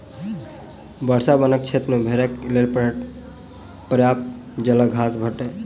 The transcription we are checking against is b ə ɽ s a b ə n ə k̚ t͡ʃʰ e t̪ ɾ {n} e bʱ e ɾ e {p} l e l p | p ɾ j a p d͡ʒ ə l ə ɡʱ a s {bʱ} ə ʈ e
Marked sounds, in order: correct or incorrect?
incorrect, incorrect, correct

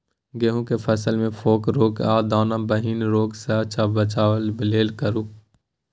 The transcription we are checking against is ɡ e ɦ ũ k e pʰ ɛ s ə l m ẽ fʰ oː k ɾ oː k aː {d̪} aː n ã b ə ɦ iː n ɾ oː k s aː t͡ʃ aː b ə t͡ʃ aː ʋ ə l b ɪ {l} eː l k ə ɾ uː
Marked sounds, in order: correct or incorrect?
correct, correct

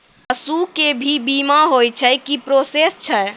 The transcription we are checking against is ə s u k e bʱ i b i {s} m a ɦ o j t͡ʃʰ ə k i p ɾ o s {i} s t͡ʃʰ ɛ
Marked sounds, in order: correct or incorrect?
incorrect, incorrect

